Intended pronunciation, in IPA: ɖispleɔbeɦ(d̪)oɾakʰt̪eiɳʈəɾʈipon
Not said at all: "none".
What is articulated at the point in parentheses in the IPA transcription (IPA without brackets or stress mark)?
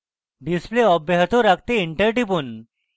t̪